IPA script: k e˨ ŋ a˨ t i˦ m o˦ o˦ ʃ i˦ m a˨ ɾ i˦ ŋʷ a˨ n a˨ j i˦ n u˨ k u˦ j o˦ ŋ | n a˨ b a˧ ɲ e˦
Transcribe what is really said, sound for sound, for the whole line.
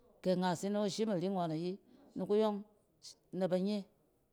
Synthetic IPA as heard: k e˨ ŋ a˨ s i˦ n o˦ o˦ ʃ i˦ m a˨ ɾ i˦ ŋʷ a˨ n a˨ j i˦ n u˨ k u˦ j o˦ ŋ | n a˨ b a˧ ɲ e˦